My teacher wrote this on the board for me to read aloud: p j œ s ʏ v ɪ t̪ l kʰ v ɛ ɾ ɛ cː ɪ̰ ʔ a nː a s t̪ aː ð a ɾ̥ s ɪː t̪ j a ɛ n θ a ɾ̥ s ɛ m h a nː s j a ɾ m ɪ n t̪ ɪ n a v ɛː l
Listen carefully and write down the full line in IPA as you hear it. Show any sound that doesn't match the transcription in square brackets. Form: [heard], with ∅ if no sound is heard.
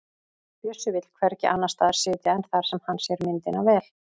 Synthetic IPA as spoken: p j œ s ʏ v ɪ t̪ l kʰ v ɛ ɾ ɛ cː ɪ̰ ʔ a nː a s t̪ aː ð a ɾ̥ s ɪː t̪ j a ɛ n θ a ɾ̥ s ɛ m h a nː s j [ɛ] ɾ m ɪ n t̪ ɪ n a v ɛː l